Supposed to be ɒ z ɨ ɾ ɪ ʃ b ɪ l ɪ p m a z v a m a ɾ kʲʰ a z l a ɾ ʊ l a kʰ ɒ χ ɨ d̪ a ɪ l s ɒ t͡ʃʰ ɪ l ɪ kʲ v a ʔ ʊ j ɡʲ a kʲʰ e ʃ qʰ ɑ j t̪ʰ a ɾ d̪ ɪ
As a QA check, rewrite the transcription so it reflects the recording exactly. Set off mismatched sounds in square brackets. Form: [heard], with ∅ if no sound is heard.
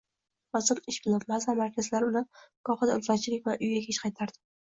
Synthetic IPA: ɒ z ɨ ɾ ɪ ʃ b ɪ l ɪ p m a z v a m a ɾ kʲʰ a z l a ɾ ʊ l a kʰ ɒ χ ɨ d̪ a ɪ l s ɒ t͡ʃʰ ɪ l ɪ kʲ v a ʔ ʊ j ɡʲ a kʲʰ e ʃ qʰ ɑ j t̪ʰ a ɾ d̪ ɪ